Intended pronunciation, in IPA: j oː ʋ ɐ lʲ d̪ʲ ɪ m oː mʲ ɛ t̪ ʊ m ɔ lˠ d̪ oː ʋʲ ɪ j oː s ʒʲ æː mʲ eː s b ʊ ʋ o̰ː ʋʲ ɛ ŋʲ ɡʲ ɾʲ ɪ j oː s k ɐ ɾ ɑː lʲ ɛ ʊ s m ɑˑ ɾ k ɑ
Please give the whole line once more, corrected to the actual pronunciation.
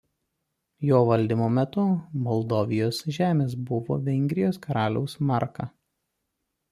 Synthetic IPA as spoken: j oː ʋ ɐ lʲ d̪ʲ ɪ m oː mʲ ɛ t̪ ʊ m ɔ lˠ d̪ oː ʋʲ ɪ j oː s ʒʲ æː mʲ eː s b ʊ ʋ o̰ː ʋʲ ɛ ŋʲ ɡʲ ɾʲ ɪ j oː s k ɐ ɾ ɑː lʲ ɛ ʊ s m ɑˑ ɾ k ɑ